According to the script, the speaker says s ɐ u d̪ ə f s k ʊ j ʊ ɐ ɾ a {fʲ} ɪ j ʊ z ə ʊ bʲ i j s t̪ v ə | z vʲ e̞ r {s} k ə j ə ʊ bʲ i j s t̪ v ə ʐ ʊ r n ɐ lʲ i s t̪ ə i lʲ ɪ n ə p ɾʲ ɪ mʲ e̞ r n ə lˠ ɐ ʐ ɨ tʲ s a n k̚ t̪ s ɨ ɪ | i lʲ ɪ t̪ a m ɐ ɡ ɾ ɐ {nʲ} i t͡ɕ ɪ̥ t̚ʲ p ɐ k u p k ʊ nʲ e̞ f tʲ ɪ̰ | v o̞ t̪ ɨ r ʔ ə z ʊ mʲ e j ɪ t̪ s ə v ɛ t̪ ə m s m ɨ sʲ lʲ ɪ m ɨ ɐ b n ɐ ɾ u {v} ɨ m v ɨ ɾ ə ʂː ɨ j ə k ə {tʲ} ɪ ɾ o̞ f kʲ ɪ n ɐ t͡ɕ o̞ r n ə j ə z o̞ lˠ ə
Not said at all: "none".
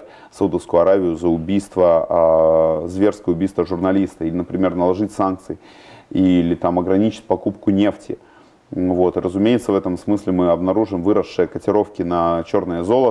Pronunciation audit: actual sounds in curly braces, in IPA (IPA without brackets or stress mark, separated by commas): vʲ, s, nʲ, ʐ, tʲ